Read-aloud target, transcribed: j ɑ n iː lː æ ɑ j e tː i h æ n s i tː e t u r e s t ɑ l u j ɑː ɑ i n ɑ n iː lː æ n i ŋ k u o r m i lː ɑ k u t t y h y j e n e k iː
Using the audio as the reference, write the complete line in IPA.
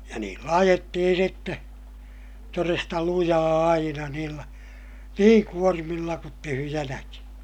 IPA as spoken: j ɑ n iː lː æ ɑ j e tː i h i n s i tː e t o r e s t ɑ l u j ɑː ɑ i n ɑ n iː lː æ n iː ŋ k u o r m i lː ɑ k u t t y h y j æ n æ k i